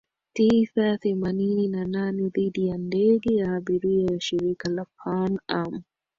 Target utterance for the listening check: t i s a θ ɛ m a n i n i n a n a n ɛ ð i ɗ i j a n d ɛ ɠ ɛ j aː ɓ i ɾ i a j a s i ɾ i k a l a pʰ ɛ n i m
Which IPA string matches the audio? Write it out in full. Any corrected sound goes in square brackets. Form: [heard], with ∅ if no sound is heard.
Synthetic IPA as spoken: t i s a θ ɛ m a n i n i n a n a n ɛ ð i ɗ i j a n d ɛ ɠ ɛ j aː ɓ i ɾ i a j a [ʃ] i ɾ i k a l a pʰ [a] n [a] m